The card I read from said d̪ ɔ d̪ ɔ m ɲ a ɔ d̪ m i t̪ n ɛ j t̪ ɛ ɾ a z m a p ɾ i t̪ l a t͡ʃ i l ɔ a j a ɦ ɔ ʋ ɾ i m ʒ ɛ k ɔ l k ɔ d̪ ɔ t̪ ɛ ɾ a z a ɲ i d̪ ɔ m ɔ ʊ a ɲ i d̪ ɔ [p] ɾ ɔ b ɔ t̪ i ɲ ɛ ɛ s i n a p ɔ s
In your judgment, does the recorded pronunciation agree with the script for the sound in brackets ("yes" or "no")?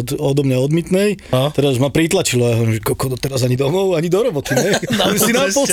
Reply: no